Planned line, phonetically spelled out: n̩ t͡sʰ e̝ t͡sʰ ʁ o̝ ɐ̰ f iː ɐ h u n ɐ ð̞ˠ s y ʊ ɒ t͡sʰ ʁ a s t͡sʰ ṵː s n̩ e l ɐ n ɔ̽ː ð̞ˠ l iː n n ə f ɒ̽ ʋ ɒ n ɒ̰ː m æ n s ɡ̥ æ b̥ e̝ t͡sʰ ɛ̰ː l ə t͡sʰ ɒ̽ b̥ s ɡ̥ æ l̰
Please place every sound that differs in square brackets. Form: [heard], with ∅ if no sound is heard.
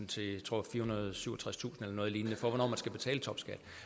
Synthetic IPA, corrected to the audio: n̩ t͡sʰ e̝ t͡sʰ ʁ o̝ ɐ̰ f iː ɐ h u n ɐ ð̞ˠ s y ʊ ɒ t͡sʰ ʁ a s t͡sʰ ṵː s n̩ e l ɐ n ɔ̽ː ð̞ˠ l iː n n ə f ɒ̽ ʋ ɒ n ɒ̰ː m æ n s ɡ̥ æ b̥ e̝ t͡sʰ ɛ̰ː l ə t͡sʰ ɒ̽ b̥ s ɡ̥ æ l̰